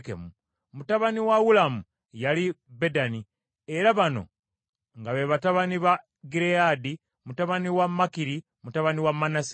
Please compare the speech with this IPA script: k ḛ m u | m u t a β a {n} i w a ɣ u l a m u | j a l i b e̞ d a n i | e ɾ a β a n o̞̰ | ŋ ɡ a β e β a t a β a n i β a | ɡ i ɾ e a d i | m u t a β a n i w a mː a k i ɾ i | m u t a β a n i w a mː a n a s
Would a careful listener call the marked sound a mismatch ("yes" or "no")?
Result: no